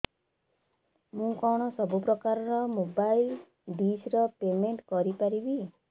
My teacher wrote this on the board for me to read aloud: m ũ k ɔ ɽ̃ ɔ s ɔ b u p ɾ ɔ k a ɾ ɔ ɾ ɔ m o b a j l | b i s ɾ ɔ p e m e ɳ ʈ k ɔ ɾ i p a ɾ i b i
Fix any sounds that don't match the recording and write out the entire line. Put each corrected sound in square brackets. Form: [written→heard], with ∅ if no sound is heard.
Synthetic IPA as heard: m ũ k ɔ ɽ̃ ɔ s ɔ b u p ɾ ɔ k a ɾ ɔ ɾ ɔ m o b a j l | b i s ɾ ɔ p e m e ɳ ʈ k ɔ ɾ i p a ɾ i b i